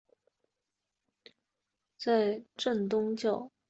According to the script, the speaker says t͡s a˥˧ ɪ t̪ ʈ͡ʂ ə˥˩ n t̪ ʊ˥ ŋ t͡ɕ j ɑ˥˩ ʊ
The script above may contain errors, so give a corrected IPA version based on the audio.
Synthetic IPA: t͡s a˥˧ ɪ ʈ͡ʂ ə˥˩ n t̪ ʊ˥ ŋ t͡ɕ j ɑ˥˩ ʊ